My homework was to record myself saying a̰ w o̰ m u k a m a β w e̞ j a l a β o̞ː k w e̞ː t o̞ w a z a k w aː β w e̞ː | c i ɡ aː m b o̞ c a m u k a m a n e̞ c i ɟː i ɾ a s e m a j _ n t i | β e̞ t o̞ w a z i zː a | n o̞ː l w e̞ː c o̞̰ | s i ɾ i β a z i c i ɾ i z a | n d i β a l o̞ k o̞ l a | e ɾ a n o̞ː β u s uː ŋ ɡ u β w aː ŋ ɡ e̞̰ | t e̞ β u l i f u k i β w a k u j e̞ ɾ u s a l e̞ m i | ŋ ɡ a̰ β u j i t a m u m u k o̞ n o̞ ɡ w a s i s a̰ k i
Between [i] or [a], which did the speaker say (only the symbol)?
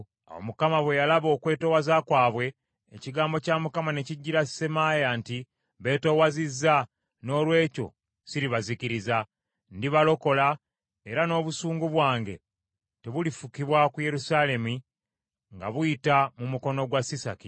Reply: a